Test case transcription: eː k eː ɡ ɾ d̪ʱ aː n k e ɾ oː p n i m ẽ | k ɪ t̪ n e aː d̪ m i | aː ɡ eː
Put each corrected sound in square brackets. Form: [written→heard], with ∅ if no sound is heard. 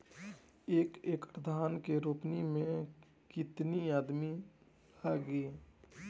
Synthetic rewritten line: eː k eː [ɡ→k] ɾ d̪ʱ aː n k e ɾ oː p n i m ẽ | k ɪ t̪ n [e→i] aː d̪ m i | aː ɡ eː

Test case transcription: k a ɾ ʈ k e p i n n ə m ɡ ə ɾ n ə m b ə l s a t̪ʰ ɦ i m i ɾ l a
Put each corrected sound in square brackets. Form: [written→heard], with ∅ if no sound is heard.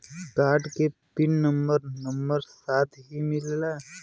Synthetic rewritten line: k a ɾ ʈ k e p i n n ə m [ɡ→b] ə ɾ n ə m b ə [l→ɾ] s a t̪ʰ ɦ i m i [ɾ→l] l a

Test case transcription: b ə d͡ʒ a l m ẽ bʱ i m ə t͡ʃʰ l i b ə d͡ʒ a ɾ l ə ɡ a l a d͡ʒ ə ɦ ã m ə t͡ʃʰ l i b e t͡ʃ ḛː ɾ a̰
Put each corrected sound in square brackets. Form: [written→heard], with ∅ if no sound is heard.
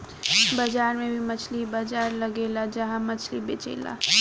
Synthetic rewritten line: b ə d͡ʒ a [l→ɾ] m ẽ bʱ i m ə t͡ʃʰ l i b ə d͡ʒ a ɾ l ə ɡ [a→e] l a d͡ʒ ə ɦ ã m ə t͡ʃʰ l i b e t͡ʃ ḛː [ɾ→l] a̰

